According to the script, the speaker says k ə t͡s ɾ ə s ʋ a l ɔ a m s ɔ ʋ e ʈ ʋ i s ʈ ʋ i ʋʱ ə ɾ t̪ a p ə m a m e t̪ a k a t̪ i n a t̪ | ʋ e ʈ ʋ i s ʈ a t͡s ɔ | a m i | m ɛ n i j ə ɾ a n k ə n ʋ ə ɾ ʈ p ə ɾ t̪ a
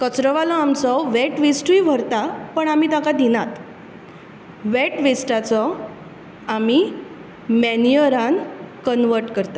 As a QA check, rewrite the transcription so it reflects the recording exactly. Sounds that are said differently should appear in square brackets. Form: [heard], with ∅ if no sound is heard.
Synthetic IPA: k ə t͡s ɾ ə [∅] ʋ a l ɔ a m [t͡s] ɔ ʋ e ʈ ʋ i s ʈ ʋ i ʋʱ ə ɾ t̪ a p ə [ɳ] a m [i] t̪ a k a [d̪] i n a t̪ | ʋ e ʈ ʋ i s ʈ a t͡s ɔ | a m i | m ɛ n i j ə ɾ a n k ə n ʋ ə ɾ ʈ [k] ə ɾ t̪ a